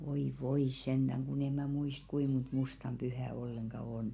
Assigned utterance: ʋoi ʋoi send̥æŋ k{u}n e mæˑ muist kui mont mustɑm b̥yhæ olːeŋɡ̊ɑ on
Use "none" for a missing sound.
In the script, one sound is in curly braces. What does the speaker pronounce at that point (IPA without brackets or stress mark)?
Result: u